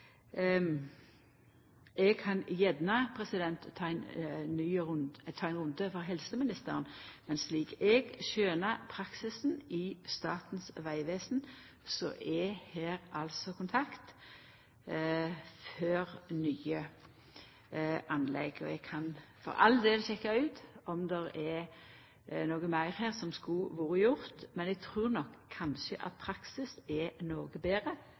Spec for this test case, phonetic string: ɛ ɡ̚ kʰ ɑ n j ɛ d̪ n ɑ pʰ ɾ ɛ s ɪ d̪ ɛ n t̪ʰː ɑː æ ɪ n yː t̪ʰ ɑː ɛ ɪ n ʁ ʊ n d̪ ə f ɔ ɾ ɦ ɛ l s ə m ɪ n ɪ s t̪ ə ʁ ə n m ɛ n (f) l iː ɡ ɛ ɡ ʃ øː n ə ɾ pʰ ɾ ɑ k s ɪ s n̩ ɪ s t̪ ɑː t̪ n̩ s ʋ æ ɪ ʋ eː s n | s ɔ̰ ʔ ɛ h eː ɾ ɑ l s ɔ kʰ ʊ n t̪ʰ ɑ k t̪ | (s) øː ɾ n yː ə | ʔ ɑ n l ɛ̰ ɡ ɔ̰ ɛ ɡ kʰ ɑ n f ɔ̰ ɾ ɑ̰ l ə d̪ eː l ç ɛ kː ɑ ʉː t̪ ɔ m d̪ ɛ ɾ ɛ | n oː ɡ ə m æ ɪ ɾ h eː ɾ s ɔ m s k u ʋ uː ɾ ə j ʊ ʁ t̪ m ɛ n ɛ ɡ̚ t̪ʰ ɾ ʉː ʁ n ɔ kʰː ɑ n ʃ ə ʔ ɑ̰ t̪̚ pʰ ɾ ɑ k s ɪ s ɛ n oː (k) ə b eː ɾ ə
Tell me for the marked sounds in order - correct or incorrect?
incorrect: s, incorrect: f, incorrect: ɡ

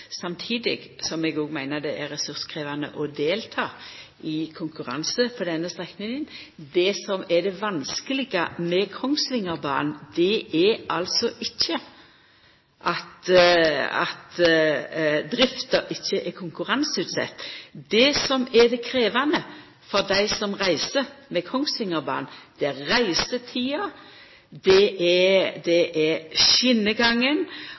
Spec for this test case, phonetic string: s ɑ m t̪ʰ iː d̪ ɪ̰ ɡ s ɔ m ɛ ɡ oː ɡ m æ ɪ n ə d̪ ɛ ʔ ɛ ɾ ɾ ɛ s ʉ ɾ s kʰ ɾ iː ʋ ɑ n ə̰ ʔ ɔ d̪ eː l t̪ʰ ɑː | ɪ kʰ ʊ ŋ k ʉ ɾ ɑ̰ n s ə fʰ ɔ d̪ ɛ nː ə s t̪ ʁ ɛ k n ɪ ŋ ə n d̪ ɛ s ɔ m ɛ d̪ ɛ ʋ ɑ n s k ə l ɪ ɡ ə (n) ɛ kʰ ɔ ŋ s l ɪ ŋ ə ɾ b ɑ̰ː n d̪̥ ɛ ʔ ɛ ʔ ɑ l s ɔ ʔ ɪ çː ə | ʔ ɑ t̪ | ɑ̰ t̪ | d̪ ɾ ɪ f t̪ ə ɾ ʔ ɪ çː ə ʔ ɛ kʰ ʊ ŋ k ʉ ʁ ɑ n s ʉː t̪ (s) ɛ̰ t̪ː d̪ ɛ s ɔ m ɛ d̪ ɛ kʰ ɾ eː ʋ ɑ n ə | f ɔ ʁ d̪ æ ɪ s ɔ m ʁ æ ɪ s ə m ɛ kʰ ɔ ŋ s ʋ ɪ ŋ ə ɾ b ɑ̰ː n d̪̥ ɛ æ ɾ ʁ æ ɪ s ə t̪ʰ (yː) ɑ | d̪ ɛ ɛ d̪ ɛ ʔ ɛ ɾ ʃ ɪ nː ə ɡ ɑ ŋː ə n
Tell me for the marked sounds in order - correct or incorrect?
incorrect: m, correct, incorrect: iː

